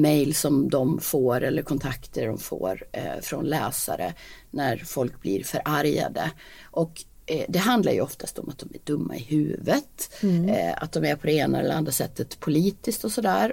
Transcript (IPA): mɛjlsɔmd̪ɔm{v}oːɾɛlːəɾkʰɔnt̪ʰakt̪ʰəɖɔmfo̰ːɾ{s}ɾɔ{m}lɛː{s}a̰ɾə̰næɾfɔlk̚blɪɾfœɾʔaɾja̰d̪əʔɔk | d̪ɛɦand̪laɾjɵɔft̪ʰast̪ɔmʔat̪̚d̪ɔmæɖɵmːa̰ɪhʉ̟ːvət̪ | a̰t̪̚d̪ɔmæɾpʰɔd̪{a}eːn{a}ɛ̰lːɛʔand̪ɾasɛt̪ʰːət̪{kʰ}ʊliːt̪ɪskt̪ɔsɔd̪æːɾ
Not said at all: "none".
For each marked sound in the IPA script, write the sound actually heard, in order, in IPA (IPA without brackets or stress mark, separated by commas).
f, f, n, s, ɛ, a, pʰ